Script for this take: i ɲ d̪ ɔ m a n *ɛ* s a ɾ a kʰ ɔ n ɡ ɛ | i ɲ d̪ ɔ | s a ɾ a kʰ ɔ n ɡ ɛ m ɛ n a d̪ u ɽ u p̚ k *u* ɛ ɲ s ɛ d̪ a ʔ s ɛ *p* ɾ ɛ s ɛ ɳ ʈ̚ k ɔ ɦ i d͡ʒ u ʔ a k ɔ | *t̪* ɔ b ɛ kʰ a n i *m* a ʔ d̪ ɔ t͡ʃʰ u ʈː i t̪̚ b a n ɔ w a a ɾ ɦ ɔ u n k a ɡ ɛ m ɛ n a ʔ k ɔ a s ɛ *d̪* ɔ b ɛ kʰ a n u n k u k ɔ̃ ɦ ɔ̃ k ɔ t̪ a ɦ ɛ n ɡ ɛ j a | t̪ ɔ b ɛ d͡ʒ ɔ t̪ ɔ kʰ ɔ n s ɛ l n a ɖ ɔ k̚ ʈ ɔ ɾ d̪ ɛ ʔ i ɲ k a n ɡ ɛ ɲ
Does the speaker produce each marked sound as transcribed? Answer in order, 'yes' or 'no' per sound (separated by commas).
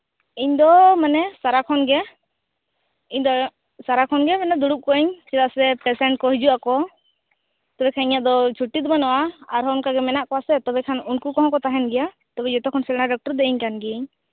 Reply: yes, no, yes, yes, no, no